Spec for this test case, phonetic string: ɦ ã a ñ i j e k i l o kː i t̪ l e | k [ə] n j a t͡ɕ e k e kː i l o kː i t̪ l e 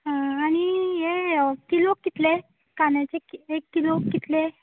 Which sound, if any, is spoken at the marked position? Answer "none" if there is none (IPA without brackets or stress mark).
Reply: a